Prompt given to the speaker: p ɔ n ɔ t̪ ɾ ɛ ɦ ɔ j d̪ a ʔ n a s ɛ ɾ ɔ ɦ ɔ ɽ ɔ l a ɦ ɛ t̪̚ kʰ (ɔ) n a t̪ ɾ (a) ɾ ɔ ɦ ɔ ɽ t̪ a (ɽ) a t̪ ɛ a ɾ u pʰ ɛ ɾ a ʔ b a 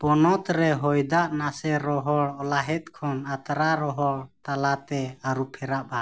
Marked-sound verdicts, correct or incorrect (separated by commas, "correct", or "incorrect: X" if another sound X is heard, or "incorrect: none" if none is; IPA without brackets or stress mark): correct, correct, incorrect: l